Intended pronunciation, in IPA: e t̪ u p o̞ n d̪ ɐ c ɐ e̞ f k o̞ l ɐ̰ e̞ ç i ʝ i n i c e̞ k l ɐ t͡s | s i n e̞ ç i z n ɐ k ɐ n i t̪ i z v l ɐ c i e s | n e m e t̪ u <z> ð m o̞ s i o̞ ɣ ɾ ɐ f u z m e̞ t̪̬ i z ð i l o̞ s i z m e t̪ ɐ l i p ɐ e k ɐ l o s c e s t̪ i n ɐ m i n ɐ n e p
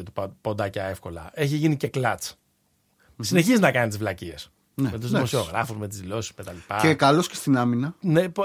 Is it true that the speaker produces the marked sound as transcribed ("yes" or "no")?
yes